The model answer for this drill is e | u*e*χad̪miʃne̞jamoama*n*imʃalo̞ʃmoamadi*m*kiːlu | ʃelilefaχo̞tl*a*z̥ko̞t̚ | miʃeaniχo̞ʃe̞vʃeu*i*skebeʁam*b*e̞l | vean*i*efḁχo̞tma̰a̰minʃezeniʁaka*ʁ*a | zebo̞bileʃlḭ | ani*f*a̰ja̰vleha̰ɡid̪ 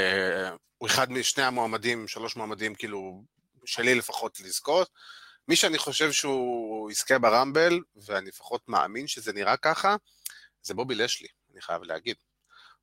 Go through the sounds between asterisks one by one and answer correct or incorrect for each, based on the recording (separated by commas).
correct, incorrect, correct, incorrect, correct, correct, correct, incorrect, incorrect